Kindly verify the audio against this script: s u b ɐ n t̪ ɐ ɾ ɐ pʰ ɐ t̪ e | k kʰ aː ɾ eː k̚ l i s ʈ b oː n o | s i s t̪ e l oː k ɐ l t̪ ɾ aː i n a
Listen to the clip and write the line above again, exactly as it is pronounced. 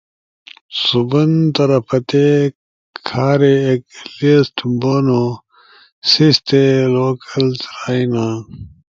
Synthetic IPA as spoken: s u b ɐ n t̪ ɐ ɾ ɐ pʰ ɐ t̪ e | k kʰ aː ɾ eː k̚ l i s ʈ b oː n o | s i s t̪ e l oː k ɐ l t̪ ɾ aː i n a

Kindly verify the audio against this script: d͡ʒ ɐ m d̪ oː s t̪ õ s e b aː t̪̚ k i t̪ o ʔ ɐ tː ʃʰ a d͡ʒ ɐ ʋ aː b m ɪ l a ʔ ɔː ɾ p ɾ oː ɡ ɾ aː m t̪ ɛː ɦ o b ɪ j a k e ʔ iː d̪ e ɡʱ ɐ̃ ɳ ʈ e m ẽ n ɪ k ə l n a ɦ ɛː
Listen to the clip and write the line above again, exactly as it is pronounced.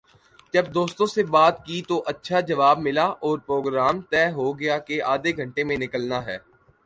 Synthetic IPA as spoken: d͡ʒ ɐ b d̪ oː s t̪ õ s e b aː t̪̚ k i t̪ o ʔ ɐ tː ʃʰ a d͡ʒ ɐ ʋ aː b m ɪ l a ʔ ɔː ɾ p ɾ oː ɡ ɾ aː m t̪ ɛː ɦ o ɡ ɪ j a k e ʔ aː d̪ e ɡʱ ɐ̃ ɳ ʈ e m ẽ n ɪ k ə l n a ɦ ɛː

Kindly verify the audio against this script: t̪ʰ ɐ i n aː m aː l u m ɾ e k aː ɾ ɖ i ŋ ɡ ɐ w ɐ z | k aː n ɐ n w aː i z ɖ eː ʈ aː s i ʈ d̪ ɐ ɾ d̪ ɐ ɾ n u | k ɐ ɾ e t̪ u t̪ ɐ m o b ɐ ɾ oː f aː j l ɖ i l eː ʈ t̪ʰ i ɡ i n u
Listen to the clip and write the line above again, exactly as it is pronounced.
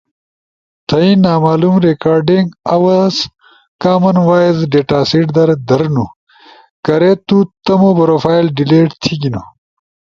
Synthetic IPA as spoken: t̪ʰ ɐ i n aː m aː l u m ɾ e k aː ɾ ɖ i ŋ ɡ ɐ w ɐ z | k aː m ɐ n w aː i z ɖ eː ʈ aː s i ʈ d̪ ɐ ɾ d̪ ɐ ɾ n u | k ɐ ɾ e t̪ u t̪ ɐ m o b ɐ ɾ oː f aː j l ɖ i l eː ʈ t̪ʰ i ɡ i n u

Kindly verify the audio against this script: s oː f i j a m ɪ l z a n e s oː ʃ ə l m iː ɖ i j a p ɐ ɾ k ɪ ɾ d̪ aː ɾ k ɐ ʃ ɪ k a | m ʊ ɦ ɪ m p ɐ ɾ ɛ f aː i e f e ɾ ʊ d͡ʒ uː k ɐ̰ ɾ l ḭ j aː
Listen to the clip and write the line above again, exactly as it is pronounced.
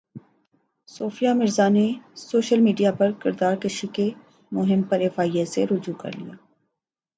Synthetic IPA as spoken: s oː f i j a m ɪ ɾ z a n e s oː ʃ ə l m iː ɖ i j a p ɐ ɾ k ɪ ɾ d̪ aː ɾ k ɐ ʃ i k e | m ʊ ɦ ɪ m p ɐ ɾ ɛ f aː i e s e ɾ ʊ d͡ʒ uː k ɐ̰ ɾ l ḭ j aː

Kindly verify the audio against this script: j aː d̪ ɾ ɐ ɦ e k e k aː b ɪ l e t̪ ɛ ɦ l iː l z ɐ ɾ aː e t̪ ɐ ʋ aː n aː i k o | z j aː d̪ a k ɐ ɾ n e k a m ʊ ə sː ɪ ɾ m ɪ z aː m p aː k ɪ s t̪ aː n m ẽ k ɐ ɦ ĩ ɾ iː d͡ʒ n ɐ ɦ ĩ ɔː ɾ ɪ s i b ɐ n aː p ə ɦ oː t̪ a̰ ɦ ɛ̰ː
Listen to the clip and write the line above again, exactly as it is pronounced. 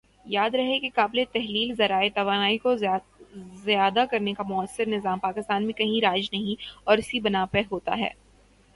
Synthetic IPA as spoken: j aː d̪ ɾ ɐ ɦ e k e k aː b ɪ l e t̪ ɛ ɦ l iː l z ɐ ɾ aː e t̪ ɐ ʋ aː n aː i k o | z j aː d̪ a k ɐ ɾ n e k a m ʊ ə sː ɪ ɾ n ɪ z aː m p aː k ɪ s t̪ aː n m ẽ k ɐ ɦ ĩ ɾ aː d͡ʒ n ɐ ɦ ĩ ɔː ɾ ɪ s i b ɐ n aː p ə ɦ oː t̪ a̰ ɦ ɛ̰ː

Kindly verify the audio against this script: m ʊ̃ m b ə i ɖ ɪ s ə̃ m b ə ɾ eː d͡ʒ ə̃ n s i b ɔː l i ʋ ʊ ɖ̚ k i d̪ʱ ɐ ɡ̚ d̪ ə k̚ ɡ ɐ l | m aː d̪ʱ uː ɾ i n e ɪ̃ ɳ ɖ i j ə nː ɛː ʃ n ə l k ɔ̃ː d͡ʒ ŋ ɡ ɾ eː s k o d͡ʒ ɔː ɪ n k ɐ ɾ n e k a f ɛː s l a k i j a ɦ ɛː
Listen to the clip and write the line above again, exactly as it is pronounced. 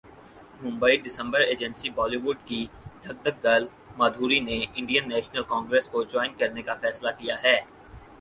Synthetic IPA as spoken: m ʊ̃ m b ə i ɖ ɪ s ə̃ m b ə ɾ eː d͡ʒ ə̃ n s i b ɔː l i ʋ ʊ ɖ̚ k i d̪ʱ ɐ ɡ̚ d̪ ə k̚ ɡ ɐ l | m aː d̪ʱ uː ɾ i n e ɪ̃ ɳ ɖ i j ə nː ɛː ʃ n ə l k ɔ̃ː ŋ ɡ ɾ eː s k o d͡ʒ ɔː ɪ n k ɐ ɾ n e k a f ɛː s l a k i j a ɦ ɛː

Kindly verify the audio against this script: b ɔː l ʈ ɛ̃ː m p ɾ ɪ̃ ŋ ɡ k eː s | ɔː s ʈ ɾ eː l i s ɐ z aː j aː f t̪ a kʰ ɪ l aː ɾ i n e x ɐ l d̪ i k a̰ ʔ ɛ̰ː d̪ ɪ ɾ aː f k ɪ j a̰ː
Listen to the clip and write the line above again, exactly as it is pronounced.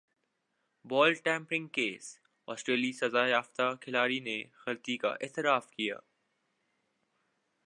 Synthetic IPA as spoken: b ɔː l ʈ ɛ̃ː m p ɾ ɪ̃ ŋ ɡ k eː s | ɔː s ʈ ɾ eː l i s ɐ z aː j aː f t̪ a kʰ ɪ l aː ɾ i n e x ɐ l t̪ i k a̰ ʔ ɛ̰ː t̪ ɪ ɾ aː f k i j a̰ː

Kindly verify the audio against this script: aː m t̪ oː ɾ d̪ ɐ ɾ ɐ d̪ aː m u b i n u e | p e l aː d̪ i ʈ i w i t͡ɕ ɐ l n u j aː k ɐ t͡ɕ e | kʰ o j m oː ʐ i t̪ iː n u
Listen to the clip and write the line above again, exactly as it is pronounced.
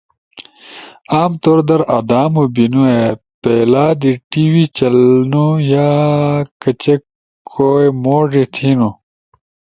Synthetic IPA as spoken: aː m t̪ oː ɾ d̪ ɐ ɾ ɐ d̪ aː m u b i n u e | p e l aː d̪ i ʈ i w i t͡ɕ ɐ l n u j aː k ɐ t͡ɕ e | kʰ o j m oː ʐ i t̪ʰ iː n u

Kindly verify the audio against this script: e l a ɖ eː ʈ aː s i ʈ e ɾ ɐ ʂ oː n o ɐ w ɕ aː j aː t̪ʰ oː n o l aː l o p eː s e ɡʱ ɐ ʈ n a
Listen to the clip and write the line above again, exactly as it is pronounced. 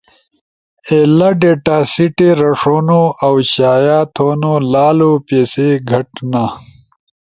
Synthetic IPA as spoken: e l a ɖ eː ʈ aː s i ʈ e ɾ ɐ ʂ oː n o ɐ w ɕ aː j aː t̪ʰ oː n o l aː l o p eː s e ɡʱ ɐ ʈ n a

